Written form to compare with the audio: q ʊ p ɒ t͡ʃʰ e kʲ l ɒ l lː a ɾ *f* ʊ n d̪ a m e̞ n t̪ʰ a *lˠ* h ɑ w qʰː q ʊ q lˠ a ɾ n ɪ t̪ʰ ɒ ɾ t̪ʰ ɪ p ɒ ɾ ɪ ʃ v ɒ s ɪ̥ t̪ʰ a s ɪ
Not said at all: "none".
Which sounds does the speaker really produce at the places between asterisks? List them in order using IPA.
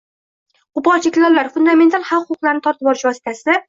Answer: f, lˠ

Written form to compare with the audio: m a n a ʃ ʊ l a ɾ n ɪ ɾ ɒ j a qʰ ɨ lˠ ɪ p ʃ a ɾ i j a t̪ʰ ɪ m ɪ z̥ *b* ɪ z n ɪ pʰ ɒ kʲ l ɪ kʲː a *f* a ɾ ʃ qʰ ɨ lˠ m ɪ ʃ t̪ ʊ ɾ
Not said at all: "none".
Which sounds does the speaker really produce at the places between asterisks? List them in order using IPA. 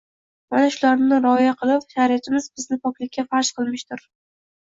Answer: b, f

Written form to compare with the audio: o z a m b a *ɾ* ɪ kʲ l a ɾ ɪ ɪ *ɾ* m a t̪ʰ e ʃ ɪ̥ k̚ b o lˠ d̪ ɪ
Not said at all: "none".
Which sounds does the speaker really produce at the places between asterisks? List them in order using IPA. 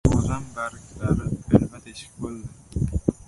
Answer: ɾ, l

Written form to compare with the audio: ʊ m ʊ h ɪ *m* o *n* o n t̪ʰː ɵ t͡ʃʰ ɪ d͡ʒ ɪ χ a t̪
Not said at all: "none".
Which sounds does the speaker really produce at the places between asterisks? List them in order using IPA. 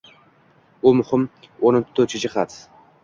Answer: m, n

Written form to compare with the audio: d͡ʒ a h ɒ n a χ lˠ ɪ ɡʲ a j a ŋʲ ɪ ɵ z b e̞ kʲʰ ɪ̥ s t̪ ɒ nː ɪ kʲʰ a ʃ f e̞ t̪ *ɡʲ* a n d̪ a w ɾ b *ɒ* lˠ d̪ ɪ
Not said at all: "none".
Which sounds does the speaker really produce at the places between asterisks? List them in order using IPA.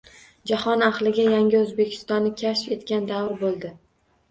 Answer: kʲ, o

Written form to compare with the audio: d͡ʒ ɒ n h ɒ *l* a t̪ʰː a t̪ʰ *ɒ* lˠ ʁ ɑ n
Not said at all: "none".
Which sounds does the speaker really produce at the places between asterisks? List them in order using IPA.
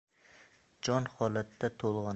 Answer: l, o

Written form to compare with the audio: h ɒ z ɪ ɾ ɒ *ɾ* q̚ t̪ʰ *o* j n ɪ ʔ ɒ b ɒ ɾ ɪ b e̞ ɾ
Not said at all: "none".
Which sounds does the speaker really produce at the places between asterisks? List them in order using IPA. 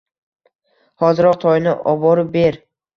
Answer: none, ɒ

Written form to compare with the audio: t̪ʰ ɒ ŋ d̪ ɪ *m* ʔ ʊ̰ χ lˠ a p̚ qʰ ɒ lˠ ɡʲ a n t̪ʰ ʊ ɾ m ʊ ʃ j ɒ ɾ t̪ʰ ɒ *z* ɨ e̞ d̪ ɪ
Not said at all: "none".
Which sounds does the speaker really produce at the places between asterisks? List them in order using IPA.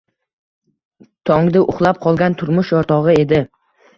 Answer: none, ʁ

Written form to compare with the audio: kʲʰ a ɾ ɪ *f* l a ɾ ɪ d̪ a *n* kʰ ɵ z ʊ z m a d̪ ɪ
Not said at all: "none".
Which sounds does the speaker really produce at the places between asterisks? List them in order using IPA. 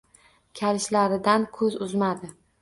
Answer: ʃ, n

